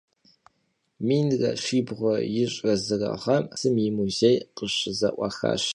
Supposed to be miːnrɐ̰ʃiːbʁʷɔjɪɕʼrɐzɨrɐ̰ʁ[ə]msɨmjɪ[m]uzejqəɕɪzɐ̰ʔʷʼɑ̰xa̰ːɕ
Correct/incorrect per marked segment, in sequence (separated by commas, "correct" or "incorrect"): incorrect, correct